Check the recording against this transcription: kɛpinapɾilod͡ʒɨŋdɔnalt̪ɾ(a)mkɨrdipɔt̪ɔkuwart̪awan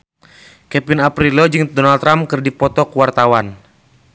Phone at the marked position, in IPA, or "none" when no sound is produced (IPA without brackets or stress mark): a